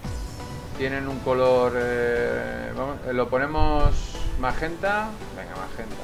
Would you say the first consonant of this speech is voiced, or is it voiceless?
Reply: voiceless